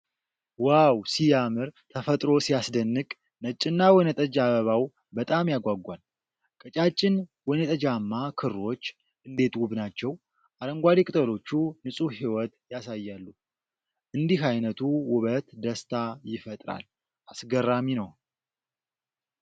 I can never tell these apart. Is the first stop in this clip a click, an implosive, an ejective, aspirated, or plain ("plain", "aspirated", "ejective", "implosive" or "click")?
aspirated